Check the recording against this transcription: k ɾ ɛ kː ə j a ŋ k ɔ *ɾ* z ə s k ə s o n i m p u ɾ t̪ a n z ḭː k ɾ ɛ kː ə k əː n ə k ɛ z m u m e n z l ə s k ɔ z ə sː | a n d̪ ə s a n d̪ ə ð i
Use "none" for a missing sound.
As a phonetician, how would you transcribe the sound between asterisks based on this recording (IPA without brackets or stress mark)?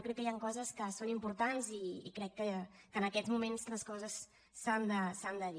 none